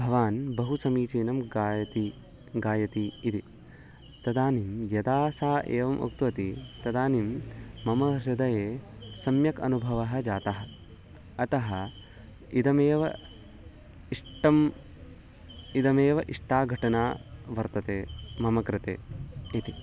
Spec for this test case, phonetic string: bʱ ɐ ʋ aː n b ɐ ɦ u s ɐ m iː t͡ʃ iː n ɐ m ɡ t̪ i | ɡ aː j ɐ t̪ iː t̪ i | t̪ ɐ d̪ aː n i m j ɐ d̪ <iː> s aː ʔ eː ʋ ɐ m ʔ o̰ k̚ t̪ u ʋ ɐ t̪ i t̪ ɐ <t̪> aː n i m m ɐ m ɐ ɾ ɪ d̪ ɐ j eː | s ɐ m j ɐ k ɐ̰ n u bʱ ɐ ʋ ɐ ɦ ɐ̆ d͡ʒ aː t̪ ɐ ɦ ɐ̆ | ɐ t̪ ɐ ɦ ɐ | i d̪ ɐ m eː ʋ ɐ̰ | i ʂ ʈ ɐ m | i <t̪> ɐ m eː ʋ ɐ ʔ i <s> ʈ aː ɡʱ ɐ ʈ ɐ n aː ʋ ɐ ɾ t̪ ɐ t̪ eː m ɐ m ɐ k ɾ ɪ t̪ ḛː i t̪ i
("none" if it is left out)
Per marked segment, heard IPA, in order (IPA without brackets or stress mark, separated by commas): aː, d̪, d̪, ʂ